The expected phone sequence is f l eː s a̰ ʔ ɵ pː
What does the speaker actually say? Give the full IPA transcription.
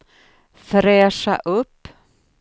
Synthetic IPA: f ɾ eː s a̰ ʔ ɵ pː

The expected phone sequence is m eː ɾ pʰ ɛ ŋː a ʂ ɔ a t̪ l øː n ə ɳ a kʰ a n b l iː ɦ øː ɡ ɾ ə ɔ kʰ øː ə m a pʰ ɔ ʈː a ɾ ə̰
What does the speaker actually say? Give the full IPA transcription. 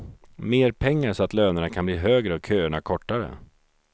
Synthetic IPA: m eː ɾ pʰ ɛ ŋː a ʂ ɔ a t̪ l øː n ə ɳ a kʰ a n b l iː ɦ øː ɡ ɾ ə ɔ kʰ øː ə ɳ a kʰ ɔ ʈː a ɾ ə̰

